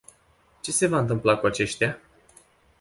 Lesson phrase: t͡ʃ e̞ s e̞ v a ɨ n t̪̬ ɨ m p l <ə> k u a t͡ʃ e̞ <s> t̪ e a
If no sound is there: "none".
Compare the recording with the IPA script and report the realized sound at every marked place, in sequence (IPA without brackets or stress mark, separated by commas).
a, ʃ